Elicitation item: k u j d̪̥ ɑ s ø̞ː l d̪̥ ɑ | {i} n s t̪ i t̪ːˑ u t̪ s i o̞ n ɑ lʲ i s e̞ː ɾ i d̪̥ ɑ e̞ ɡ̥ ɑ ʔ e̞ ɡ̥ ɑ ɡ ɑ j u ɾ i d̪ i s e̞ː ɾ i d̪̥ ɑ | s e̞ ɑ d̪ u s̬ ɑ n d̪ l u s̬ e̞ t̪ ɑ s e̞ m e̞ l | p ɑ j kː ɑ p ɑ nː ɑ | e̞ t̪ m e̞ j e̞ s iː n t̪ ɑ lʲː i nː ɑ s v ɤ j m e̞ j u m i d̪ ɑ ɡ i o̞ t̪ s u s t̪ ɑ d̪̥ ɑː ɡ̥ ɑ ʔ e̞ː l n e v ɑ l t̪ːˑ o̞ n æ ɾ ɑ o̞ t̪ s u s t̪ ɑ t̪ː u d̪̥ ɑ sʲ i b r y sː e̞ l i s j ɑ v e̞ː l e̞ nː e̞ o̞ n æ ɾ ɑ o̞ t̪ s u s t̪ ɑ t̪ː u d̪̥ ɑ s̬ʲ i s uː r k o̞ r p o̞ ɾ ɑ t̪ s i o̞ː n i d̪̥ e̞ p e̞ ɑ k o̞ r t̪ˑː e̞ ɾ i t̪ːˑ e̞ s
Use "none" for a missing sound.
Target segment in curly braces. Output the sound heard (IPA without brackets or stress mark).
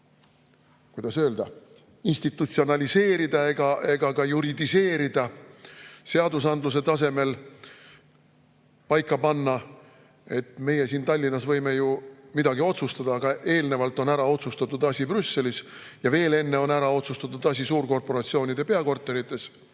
i